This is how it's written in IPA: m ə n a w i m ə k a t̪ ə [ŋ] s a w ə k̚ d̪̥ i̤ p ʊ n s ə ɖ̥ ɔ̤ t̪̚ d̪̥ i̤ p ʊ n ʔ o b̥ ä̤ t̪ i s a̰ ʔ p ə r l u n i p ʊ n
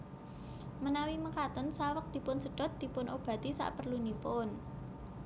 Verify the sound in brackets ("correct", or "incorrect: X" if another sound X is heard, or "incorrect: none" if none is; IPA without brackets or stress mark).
incorrect: n